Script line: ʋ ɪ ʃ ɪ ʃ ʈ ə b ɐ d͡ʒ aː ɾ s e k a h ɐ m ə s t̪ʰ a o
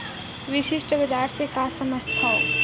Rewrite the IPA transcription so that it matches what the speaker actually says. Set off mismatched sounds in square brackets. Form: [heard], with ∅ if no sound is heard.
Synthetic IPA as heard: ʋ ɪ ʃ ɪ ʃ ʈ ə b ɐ d͡ʒ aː ɾ s e k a [s] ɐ m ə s t̪ʰ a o